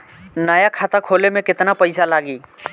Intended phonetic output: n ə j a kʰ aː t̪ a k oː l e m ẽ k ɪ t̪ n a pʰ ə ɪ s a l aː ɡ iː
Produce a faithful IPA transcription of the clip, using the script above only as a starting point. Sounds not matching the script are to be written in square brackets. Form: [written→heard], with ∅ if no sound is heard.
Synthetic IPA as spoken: n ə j a kʰ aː t̪ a [k→kʰ] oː l e m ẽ k ɪ t̪ n a [pʰ→p] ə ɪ s a l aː ɡ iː